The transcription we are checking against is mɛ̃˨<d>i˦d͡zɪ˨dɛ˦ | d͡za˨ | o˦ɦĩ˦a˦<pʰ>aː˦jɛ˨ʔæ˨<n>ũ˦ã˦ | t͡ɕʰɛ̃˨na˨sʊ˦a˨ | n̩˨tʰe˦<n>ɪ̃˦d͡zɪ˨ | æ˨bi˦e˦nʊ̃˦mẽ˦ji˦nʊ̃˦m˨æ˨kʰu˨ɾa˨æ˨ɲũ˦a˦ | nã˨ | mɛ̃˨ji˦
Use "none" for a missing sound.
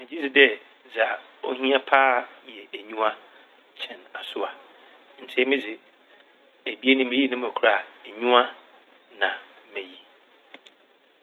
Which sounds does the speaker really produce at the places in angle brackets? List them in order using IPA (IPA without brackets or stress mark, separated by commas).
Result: d͡ʑ, pʰ, ɲ, m